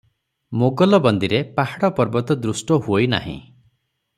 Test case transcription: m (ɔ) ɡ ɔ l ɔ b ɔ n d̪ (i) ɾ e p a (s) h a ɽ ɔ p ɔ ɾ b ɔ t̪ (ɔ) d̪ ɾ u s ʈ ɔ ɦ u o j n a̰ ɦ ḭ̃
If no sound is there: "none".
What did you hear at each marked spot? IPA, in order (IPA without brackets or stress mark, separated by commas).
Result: o, i, none, ɔ